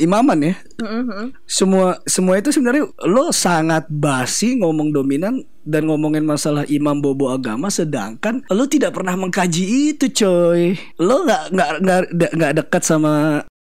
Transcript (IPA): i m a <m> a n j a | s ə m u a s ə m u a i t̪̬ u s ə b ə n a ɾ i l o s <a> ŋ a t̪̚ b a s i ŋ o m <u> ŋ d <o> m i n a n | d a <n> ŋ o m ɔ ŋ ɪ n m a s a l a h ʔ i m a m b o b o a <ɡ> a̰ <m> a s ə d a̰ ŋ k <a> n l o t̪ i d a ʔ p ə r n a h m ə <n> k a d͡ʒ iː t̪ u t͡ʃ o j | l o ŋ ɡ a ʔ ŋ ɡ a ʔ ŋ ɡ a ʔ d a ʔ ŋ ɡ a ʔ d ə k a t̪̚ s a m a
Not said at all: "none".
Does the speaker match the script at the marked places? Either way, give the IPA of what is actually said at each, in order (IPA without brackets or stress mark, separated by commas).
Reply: m, a, ɔ, o, n, ɡ, m, a, ŋ